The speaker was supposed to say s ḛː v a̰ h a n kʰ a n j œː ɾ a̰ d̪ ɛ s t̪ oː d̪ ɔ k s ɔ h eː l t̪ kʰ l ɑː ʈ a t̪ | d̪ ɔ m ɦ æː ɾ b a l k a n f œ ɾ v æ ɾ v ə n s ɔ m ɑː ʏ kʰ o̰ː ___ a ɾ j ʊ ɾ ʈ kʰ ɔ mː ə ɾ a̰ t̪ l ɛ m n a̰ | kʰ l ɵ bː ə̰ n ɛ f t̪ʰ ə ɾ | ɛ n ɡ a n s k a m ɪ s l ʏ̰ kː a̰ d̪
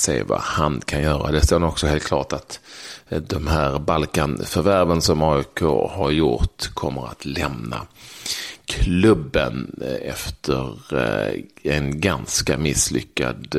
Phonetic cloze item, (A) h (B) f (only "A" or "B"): A